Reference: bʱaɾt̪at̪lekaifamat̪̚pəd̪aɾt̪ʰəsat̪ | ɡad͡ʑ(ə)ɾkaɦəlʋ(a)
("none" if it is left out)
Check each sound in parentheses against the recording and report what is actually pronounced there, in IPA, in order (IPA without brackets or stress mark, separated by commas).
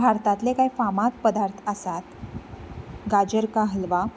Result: ə, a